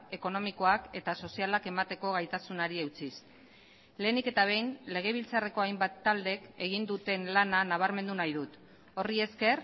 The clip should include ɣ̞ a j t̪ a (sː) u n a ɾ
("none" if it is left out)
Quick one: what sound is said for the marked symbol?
s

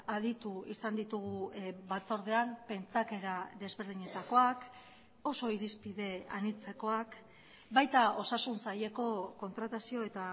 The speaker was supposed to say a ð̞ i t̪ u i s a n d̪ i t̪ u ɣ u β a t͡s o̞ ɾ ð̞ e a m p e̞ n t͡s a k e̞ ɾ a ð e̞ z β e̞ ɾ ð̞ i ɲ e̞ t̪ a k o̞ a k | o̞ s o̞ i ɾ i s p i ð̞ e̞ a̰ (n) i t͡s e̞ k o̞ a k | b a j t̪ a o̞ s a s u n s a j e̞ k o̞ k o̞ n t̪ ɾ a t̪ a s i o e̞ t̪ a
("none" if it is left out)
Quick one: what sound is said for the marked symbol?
n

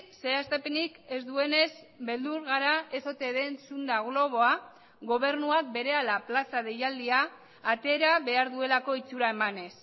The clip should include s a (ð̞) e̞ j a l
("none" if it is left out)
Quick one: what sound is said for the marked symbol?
ð̞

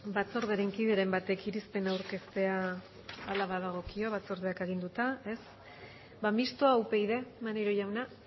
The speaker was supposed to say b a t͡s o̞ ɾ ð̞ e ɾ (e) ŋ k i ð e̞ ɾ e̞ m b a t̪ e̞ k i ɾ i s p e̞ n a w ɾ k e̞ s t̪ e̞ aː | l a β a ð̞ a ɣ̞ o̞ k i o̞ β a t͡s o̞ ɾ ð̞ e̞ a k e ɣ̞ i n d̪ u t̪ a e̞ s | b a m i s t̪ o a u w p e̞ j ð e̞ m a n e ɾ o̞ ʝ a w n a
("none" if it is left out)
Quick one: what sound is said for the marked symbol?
e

